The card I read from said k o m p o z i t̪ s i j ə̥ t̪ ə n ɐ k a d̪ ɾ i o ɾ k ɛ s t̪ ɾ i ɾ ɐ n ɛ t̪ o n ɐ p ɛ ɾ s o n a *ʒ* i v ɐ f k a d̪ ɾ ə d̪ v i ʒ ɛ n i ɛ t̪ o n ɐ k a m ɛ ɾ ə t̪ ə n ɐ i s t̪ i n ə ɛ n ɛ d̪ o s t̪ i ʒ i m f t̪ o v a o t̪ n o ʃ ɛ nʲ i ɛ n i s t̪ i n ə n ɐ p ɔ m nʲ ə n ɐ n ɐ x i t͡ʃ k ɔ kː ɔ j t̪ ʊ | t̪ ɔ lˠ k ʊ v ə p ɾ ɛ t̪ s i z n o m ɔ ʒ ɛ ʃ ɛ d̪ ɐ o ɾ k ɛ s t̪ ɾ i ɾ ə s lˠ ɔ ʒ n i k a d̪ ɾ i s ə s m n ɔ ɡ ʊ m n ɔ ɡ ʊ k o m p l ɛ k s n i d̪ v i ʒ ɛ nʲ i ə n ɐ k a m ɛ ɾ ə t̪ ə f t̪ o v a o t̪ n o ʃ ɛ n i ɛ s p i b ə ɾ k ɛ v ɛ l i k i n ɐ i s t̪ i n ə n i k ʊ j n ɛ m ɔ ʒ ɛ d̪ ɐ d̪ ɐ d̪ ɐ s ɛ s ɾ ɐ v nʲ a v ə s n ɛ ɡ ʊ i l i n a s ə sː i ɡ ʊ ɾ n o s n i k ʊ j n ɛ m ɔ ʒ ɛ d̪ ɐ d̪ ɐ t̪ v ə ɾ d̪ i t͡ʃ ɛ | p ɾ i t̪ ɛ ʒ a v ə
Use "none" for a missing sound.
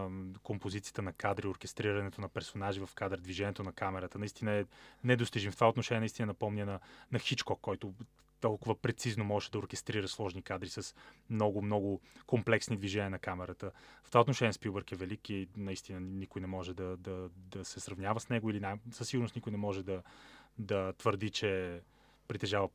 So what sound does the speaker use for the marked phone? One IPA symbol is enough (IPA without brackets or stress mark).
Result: ʒ